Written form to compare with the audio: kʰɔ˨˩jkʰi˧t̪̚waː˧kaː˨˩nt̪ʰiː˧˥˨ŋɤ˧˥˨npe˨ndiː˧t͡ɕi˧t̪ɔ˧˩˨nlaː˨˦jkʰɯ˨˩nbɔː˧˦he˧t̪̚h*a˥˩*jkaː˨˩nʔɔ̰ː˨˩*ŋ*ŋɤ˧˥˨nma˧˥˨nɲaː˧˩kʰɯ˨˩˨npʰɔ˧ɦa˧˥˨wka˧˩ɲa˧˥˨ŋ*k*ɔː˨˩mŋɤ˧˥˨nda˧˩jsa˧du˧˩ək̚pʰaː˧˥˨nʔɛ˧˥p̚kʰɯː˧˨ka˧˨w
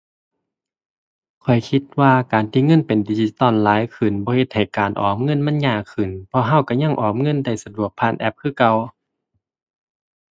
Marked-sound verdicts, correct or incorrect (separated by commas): incorrect, incorrect, incorrect